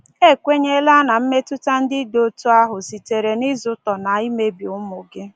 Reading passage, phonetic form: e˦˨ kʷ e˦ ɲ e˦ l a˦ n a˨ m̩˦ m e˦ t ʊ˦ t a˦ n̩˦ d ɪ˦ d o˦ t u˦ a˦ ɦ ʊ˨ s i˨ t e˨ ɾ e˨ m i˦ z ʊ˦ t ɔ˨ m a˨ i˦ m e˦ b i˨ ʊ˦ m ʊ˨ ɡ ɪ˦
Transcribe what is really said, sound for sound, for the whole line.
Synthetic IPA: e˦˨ kʷ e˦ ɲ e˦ l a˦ n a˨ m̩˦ m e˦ t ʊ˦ t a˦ n̩˦ d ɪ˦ d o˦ t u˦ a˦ ɦ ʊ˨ s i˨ t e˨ ɾ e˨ n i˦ z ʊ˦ t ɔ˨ n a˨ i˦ m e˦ b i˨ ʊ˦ m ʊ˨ ɡ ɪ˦